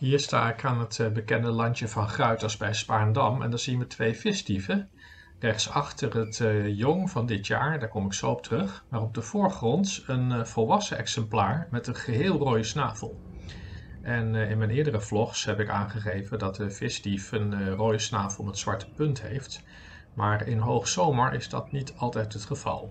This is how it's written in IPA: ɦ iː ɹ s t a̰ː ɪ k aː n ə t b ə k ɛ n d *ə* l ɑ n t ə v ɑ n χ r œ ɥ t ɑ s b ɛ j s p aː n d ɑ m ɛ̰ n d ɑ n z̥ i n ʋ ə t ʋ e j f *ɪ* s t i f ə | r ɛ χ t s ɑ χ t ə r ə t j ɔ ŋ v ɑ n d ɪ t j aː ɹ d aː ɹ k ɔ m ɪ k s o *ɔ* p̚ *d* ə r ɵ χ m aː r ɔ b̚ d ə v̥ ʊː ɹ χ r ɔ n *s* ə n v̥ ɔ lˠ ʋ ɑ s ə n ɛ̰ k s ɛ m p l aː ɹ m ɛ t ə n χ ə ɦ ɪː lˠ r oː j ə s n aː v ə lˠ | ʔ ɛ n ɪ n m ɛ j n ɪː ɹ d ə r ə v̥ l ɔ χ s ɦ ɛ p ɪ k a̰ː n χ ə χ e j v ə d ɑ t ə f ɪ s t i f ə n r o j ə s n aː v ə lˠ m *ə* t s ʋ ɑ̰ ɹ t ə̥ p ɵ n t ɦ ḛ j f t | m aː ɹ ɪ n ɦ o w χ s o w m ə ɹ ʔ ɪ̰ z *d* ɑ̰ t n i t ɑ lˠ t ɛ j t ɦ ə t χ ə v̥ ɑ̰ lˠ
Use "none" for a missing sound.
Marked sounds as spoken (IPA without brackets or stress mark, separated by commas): ə, ɪ, ɔ, t, t, ə, d